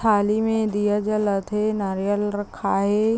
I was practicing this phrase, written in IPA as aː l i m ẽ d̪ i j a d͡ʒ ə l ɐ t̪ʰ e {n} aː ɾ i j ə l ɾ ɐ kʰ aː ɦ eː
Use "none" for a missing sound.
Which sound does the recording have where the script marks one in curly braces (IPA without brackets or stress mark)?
n